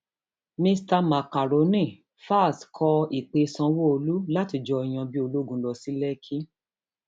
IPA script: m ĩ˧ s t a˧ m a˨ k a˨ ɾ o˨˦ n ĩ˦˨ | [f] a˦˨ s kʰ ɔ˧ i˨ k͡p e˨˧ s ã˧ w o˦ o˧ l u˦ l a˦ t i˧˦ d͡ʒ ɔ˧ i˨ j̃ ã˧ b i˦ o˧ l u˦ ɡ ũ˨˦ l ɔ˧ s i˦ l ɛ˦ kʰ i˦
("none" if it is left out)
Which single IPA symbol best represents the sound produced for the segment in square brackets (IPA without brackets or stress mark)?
f